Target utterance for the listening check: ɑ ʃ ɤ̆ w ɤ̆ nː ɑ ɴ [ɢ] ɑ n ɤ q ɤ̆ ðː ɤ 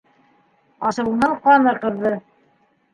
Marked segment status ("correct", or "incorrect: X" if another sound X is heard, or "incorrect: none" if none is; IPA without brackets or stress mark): incorrect: q